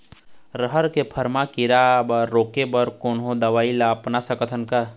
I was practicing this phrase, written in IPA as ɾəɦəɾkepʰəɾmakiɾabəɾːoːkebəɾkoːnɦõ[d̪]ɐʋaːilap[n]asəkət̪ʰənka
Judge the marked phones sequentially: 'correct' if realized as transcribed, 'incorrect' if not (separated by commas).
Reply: correct, correct